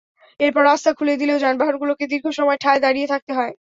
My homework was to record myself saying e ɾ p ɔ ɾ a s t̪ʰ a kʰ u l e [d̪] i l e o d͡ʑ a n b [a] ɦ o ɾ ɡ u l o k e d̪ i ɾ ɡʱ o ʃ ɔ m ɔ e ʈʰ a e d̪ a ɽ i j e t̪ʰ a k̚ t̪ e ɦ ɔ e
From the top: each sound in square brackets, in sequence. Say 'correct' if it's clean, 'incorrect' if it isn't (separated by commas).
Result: correct, correct